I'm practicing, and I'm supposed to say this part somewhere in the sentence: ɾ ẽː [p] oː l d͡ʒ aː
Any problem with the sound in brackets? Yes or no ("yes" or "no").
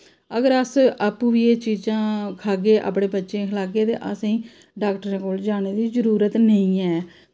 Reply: yes